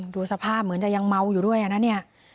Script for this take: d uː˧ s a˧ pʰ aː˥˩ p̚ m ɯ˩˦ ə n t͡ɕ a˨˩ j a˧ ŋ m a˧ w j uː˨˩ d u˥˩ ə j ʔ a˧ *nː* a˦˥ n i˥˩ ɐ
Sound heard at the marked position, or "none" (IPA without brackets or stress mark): n